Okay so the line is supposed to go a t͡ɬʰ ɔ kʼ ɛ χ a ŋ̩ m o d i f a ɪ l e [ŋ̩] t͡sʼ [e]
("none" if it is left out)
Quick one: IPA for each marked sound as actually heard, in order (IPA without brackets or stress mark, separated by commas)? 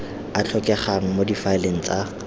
ŋ̩, a